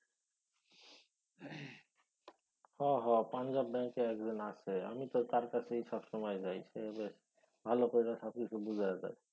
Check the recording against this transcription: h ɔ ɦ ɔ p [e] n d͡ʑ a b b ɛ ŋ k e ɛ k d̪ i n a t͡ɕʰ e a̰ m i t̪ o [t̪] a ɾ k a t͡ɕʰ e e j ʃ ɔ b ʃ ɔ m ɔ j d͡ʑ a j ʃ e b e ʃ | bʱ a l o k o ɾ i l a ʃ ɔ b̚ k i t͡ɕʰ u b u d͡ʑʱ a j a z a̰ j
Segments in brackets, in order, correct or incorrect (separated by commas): incorrect, correct